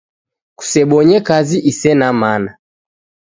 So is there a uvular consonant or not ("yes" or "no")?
no